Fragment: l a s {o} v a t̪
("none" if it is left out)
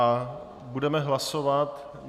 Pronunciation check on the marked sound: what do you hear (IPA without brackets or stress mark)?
o